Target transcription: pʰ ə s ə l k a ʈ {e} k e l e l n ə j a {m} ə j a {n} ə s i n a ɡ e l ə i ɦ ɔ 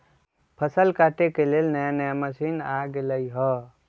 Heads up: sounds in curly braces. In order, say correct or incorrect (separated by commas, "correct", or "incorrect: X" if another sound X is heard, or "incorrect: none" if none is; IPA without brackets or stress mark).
correct, incorrect: n, incorrect: m